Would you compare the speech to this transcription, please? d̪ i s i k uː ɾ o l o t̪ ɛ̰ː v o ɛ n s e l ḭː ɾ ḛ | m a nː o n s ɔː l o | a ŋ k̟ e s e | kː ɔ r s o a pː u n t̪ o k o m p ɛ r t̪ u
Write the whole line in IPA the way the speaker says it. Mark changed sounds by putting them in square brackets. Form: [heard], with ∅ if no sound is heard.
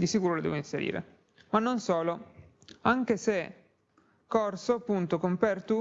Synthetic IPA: d̪ i s i k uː ɾ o l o [d̪] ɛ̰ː v o [i] n s e [ɾ] ḭː ɾ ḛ | m a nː o n s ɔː l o | a ŋ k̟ e s e | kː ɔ r s o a pː u n t̪ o k o m p ɛ r t̪ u